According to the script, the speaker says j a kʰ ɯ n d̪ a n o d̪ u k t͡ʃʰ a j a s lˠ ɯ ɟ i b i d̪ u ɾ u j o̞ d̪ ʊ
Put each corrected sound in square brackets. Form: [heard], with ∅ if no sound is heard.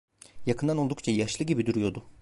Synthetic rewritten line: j a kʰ ɯ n d̪ a n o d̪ u k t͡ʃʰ a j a [ʃ] lˠ ɯ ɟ i b i d̪ u ɾ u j o̞ d̪ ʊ